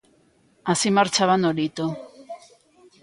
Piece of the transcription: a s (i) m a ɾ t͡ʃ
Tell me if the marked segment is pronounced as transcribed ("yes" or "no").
yes